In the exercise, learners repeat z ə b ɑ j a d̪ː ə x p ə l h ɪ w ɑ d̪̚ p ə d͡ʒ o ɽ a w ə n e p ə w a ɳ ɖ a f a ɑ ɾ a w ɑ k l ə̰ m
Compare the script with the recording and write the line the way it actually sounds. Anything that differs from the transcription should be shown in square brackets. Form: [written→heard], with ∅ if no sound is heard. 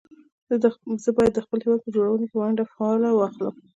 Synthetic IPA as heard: z ə b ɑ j a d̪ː ə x p ə l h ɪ w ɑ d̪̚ p ə d͡ʒ o ɽ a w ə n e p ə w a ɳ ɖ a f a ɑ [ɾ→l] a w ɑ [k→x] l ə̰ m